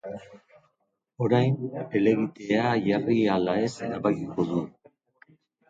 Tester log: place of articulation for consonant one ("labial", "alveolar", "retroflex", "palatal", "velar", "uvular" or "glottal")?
alveolar